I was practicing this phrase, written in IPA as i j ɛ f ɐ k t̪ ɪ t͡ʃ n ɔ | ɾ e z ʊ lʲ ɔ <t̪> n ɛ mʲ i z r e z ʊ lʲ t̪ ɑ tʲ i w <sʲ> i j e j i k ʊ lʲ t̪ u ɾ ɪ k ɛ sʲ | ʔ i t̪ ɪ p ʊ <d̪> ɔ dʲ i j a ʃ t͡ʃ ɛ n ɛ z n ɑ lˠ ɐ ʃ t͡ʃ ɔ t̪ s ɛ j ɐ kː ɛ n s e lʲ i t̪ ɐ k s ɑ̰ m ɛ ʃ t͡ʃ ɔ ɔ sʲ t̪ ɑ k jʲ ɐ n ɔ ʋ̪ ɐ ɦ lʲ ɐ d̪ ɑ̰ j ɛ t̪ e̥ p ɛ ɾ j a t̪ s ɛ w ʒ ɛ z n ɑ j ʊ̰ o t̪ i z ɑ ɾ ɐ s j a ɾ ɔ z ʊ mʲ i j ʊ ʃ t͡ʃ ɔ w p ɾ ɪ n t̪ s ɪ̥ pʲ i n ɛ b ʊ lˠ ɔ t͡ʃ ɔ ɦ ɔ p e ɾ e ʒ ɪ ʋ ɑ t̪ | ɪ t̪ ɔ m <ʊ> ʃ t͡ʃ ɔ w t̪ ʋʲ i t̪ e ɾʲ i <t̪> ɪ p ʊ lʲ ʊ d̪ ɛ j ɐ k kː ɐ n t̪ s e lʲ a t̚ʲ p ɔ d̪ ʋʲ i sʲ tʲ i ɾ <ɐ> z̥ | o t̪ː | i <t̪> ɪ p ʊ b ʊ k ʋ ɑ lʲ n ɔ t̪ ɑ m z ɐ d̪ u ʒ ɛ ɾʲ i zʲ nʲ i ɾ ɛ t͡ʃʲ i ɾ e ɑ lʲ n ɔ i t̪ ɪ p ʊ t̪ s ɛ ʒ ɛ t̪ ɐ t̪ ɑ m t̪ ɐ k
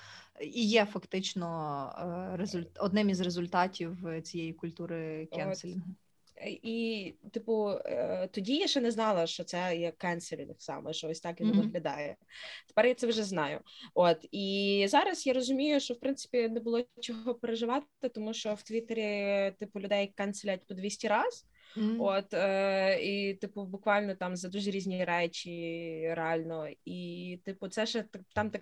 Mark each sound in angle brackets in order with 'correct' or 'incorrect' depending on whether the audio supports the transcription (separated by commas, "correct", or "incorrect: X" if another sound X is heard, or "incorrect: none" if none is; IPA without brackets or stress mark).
incorrect: d̪, incorrect: t͡sʲ, incorrect: t̪, incorrect: u, correct, incorrect: ɑ, correct